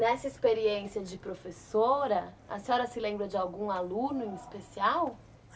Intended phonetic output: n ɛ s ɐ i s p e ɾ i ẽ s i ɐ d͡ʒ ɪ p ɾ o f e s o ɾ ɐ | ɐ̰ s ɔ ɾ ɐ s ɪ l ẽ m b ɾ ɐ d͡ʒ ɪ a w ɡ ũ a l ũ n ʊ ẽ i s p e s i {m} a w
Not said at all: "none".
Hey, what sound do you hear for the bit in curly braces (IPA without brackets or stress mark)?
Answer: none